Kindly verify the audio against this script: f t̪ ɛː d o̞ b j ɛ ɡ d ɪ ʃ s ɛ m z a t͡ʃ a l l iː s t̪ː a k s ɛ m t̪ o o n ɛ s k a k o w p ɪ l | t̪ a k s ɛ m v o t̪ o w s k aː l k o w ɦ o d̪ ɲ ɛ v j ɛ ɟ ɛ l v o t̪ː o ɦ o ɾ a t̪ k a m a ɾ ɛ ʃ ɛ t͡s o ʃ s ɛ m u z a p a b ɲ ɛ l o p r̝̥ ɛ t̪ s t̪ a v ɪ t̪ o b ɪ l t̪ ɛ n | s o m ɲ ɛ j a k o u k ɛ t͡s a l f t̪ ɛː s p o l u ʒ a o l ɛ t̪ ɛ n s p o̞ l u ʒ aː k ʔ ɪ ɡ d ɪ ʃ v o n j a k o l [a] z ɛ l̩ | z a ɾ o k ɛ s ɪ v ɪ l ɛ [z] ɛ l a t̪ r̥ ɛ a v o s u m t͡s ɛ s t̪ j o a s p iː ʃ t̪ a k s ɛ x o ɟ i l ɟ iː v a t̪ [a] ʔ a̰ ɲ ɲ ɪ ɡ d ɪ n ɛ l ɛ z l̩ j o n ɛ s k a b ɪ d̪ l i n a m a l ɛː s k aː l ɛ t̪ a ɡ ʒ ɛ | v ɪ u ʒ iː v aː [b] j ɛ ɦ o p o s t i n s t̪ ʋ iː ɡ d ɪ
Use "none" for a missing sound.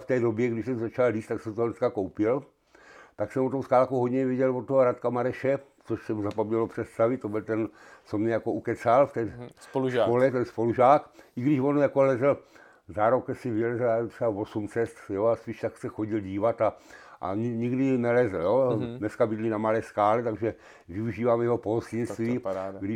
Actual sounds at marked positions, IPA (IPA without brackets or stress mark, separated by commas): ɛ, z, a, m